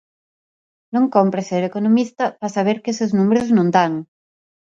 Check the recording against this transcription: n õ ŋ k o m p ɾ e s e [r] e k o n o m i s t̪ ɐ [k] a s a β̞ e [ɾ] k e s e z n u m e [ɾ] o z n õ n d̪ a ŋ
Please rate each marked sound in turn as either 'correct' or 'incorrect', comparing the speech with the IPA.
incorrect, incorrect, correct, correct

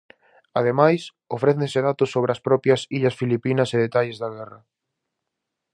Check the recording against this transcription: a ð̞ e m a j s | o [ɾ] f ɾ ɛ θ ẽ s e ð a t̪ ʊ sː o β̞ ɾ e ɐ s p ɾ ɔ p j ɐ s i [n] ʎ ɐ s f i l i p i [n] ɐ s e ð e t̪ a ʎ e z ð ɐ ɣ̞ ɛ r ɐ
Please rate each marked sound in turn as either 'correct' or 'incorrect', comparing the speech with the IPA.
incorrect, incorrect, correct

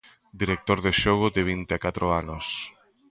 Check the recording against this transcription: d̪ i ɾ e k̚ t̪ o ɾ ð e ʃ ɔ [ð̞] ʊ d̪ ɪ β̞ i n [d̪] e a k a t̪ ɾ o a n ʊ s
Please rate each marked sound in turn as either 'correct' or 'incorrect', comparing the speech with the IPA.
incorrect, incorrect

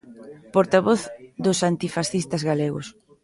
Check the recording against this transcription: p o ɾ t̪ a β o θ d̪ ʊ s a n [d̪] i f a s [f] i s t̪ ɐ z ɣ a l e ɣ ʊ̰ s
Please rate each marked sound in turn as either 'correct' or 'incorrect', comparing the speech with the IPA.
incorrect, incorrect

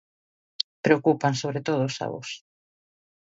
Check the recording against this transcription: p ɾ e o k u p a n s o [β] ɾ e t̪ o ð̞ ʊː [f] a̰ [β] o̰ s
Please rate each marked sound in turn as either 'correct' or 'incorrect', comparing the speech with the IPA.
correct, incorrect, correct

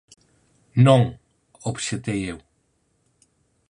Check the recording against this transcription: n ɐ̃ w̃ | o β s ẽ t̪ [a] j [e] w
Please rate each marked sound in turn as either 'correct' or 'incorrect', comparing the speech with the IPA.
incorrect, correct

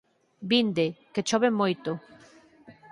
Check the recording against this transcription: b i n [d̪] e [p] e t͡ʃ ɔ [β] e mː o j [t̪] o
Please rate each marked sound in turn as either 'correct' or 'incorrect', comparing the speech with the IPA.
correct, incorrect, correct, correct

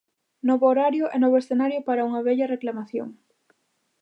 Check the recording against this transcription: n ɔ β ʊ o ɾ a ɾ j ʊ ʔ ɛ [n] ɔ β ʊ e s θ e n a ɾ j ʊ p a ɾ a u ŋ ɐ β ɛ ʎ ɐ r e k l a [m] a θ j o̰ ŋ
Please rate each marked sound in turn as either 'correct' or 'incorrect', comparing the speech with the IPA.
correct, correct

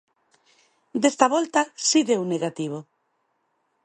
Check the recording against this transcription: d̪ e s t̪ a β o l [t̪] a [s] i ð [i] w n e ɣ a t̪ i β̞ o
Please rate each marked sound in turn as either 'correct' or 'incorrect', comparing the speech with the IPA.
correct, correct, incorrect

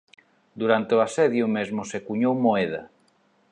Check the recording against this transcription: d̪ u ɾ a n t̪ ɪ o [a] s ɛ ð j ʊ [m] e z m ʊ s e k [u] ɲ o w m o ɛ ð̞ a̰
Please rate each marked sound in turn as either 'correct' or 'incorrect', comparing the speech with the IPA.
correct, correct, correct

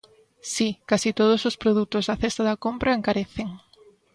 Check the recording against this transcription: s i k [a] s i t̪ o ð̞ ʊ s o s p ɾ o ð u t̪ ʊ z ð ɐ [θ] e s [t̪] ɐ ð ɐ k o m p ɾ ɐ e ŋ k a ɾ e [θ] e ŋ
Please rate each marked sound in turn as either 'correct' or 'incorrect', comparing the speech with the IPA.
correct, correct, correct, correct

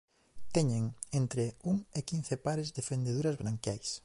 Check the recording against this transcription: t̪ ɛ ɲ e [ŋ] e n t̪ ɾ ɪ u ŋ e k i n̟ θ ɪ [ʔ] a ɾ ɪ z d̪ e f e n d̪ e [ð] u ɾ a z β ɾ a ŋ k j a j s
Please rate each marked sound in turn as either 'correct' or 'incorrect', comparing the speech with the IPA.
correct, incorrect, correct

